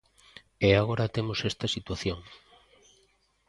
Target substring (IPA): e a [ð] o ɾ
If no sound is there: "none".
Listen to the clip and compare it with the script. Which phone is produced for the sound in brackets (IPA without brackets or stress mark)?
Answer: ɣ